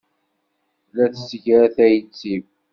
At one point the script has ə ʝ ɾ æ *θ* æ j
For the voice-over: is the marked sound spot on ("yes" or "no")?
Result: yes